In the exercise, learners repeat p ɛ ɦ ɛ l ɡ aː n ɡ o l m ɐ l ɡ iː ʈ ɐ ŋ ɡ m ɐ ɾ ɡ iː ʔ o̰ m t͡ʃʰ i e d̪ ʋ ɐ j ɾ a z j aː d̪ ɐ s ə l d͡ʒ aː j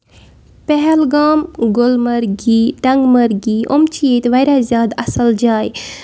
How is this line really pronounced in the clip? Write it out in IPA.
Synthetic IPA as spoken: p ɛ ɦ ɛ l ɡ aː m ɡ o l m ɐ ɾ ɡ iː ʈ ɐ ŋ ɡ m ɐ ɾ ɡ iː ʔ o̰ m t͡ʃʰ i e t̪ ʋ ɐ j ɾ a z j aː d̪ ɐ s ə l d͡ʒ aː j